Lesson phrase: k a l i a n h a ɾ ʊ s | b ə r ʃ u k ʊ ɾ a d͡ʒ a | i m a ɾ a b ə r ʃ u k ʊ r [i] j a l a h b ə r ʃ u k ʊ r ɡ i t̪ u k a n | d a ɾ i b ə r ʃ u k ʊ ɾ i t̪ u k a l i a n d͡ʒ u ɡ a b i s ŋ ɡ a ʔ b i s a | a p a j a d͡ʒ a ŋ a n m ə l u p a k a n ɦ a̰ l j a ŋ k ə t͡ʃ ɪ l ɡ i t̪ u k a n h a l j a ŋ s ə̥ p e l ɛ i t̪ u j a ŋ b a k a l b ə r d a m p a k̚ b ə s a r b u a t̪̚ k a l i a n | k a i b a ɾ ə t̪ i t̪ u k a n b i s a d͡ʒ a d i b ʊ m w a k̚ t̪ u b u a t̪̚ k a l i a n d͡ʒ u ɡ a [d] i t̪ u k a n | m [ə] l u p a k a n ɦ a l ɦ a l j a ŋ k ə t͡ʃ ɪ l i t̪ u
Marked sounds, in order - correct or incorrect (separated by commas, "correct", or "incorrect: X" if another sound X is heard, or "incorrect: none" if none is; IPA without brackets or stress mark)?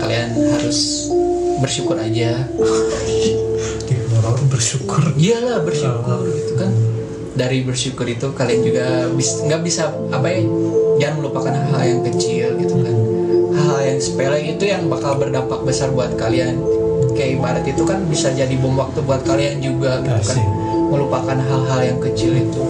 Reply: correct, incorrect: ɡ, correct